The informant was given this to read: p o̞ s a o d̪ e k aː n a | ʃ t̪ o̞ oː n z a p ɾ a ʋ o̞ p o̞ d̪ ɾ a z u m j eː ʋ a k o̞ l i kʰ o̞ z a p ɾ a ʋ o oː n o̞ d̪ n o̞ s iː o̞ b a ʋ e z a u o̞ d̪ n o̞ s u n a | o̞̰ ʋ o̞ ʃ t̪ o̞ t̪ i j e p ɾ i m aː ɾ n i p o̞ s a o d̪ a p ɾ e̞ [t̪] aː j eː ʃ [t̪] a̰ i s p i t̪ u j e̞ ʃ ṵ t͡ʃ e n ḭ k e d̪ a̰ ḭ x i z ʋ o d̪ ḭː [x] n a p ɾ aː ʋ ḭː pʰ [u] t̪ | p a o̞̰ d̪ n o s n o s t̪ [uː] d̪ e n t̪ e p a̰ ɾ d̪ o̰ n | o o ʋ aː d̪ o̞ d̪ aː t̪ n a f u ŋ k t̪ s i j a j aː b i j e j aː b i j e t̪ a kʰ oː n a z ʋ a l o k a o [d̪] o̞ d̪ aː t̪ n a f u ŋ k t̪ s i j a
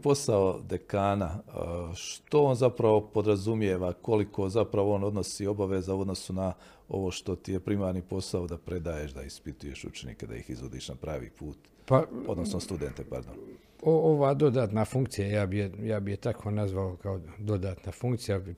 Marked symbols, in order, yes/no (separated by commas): no, no, no, no, no, yes